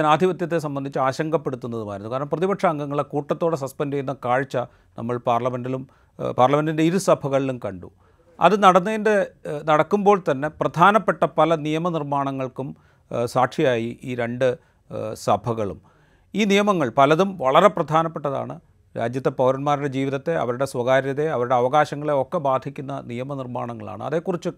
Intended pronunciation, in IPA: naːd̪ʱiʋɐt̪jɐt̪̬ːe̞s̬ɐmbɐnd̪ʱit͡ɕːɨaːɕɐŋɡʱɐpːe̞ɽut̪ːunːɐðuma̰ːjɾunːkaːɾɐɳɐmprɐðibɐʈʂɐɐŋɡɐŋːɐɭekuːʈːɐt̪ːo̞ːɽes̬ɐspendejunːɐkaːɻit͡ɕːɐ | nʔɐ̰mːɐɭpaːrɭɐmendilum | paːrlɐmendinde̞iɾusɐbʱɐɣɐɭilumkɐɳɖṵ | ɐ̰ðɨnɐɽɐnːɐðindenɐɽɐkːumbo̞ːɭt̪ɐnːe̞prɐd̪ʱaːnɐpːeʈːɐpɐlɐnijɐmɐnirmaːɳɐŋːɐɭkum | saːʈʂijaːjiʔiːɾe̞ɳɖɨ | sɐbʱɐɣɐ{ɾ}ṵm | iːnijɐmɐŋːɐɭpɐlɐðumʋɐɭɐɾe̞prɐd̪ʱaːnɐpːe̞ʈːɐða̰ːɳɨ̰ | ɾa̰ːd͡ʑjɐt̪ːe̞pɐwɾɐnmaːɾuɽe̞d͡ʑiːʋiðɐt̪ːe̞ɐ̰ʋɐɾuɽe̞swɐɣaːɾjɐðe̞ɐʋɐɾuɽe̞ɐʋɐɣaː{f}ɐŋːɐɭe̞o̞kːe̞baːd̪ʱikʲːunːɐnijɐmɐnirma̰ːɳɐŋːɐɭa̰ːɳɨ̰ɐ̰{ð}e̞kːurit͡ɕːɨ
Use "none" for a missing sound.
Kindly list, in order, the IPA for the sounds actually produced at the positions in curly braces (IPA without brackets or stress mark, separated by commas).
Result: ɭ, ɕ, ð